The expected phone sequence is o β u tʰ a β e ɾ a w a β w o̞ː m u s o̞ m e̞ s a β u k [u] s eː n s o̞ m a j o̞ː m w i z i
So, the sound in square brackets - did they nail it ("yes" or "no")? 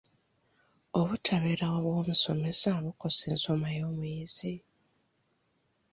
no